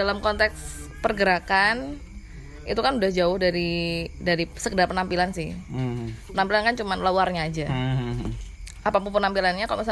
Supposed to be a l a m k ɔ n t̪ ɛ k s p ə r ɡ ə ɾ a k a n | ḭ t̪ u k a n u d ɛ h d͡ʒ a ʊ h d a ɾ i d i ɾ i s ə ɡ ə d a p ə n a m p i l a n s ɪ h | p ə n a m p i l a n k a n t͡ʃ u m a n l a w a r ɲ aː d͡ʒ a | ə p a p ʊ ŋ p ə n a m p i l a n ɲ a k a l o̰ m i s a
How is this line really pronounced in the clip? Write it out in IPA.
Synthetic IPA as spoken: a l a m k ɔ n t̪ ɛ k s p ə r ɡ ə ɾ a k a n | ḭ t̪ u k a n u d a h d͡ʒ a ʊ h d a ɾ i d a ɾ i s ə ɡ ə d a p ə n a m p i l a n s ɪ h | p ə n a m p i l a n k a n t͡ʃ u m a n l a w a r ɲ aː d͡ʒ a | a p a p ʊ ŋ p ə n a m p i l a n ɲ a k a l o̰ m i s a